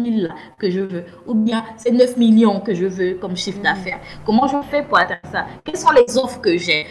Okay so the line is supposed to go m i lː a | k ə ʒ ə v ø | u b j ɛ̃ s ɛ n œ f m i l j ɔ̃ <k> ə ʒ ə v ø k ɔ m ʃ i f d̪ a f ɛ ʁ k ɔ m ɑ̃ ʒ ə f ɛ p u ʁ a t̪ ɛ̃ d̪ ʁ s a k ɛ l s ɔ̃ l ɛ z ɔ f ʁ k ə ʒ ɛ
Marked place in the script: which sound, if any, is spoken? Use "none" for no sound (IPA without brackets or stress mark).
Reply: k